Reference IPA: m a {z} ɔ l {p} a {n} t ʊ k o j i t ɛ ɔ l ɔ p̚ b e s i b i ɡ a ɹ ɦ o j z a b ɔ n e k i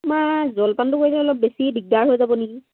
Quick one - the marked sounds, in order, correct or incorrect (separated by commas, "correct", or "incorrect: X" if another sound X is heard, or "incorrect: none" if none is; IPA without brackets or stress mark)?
correct, correct, correct